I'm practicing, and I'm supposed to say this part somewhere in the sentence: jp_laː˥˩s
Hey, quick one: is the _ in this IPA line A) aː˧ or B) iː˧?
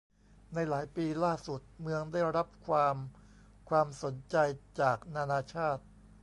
B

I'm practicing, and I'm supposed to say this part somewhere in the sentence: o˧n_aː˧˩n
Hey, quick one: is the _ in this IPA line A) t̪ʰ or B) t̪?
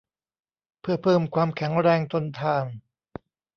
A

